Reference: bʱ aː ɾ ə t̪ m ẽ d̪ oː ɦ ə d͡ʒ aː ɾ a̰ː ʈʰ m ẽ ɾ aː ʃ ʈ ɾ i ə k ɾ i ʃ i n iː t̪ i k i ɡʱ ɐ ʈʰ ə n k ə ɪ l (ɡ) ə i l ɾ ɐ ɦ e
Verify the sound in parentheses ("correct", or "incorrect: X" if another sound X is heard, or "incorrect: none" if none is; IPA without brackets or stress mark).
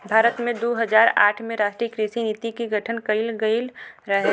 correct